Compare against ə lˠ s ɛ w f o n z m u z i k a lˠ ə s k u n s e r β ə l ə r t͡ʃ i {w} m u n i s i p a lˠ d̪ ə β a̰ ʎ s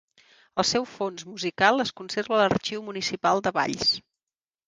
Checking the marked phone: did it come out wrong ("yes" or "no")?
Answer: no